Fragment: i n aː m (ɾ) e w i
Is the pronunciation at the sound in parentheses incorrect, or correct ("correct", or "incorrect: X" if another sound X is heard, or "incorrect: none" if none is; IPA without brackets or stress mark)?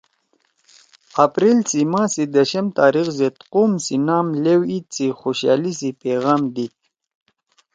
incorrect: l